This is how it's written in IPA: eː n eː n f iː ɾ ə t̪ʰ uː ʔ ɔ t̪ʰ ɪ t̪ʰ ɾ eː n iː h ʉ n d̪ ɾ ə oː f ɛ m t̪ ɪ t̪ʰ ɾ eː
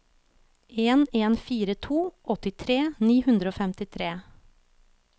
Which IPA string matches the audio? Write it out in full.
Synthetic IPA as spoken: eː n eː n f iː ɾ ə t̪ʰ uː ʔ ɔ t̪ ɪ t̪ʰ ɾ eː n iː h ʉ n d̪ ɾ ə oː f ɛ m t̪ ɪ t̪ʰ ɾ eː